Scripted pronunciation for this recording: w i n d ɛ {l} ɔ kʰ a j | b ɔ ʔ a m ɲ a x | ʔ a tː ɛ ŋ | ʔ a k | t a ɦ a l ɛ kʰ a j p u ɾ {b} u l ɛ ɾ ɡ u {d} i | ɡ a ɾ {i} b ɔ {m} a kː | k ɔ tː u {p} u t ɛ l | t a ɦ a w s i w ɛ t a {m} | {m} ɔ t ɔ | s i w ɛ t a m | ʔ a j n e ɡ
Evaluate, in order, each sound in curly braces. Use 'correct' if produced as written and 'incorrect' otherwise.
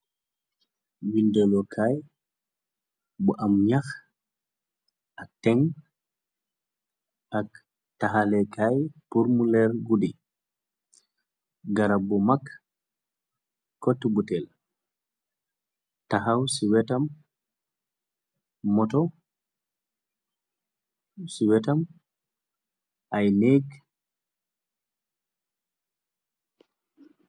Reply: correct, incorrect: m, correct, incorrect: a, correct, incorrect: b, correct, correct

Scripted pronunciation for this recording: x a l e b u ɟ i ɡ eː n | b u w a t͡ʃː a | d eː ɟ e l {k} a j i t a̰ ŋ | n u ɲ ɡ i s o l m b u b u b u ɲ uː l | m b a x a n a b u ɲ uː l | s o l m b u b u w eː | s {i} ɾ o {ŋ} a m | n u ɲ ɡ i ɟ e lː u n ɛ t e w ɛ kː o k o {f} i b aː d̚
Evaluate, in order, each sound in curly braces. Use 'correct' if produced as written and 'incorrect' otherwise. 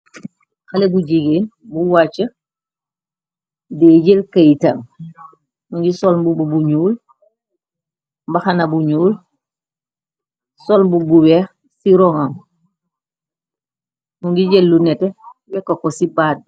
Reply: correct, correct, correct, incorrect: s

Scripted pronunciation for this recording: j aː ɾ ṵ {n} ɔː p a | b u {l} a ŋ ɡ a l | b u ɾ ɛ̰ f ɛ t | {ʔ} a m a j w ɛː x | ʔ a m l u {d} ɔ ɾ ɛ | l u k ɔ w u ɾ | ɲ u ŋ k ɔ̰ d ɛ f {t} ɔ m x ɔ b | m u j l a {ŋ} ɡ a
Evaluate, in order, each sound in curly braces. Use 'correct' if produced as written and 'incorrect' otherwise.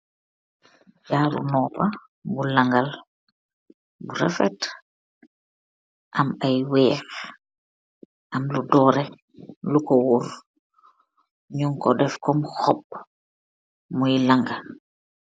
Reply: correct, correct, correct, correct, incorrect: k, correct

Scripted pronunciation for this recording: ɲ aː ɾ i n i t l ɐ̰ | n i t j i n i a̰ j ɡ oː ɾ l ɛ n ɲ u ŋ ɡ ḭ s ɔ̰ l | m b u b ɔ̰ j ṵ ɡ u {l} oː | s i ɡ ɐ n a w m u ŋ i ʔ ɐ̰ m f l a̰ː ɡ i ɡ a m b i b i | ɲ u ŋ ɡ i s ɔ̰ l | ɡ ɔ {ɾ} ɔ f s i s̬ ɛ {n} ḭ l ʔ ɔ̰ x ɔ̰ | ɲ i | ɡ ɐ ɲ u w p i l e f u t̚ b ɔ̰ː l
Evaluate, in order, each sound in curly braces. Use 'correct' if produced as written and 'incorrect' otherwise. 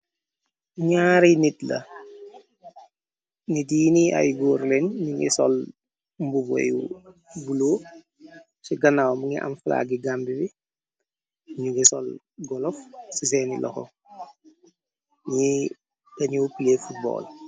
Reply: correct, incorrect: l, correct

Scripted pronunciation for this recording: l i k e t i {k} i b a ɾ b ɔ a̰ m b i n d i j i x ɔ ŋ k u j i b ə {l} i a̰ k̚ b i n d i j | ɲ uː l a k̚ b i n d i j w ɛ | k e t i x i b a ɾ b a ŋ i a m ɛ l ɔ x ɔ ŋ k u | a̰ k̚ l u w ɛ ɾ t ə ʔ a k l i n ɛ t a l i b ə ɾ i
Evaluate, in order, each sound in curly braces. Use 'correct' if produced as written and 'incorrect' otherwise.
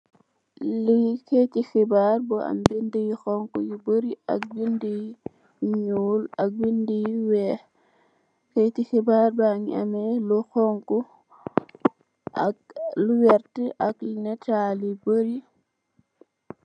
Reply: incorrect: x, incorrect: ɾ

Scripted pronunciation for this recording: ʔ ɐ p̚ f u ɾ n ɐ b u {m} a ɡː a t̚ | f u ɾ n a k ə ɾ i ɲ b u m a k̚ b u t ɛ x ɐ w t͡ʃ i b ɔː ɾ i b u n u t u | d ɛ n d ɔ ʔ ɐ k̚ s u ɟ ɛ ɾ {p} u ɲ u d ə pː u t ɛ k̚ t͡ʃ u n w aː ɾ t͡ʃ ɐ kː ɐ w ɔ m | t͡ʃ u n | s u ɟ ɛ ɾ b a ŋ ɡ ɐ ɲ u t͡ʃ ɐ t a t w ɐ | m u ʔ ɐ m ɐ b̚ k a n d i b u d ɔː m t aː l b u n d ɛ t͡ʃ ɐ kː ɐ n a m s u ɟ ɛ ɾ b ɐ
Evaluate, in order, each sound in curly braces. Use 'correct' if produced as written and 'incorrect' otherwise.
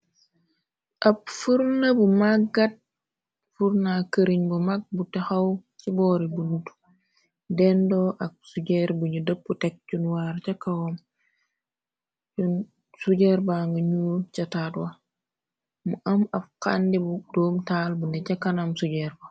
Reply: correct, incorrect: b

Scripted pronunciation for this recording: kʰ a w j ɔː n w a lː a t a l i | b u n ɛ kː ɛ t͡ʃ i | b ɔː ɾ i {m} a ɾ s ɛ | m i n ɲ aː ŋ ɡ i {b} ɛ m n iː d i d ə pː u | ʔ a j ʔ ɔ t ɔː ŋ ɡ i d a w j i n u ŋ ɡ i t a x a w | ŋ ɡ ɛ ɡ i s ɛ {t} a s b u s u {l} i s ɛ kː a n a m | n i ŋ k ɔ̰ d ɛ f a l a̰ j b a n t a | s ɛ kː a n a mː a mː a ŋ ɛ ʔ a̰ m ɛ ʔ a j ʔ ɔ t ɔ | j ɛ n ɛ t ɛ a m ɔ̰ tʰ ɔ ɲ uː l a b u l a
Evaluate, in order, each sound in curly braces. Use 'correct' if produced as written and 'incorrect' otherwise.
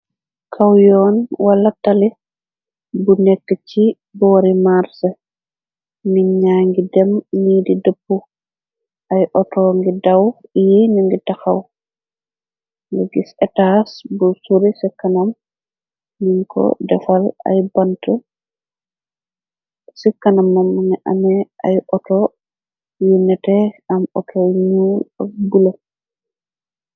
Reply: correct, incorrect: d, correct, incorrect: ɾ

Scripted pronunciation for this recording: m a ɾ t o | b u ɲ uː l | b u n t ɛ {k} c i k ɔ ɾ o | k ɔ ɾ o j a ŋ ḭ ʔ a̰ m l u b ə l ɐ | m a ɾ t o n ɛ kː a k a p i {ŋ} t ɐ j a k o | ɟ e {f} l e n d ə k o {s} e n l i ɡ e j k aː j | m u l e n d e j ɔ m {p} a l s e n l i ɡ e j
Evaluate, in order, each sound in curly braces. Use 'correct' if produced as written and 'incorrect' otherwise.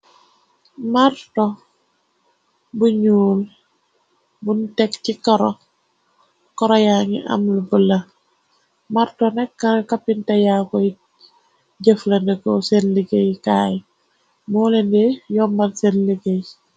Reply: correct, incorrect: n, correct, correct, incorrect: b

